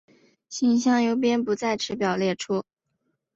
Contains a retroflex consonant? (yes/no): yes